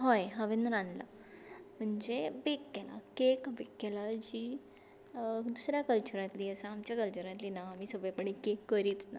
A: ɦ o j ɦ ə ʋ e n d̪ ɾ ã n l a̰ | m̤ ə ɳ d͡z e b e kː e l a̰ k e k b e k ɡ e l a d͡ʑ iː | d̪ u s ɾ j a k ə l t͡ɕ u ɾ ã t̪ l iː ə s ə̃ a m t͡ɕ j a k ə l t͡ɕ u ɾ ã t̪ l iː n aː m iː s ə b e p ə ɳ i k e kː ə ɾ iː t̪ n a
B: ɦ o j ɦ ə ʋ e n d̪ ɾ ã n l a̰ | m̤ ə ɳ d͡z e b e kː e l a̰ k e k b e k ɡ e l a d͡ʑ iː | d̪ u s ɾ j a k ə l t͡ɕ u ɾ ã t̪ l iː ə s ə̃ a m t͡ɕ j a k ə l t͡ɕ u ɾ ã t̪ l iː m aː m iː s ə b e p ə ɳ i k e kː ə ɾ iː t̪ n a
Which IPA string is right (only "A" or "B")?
A